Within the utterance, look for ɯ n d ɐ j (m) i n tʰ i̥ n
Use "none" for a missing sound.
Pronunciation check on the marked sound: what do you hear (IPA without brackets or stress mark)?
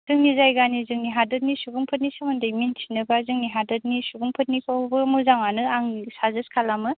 m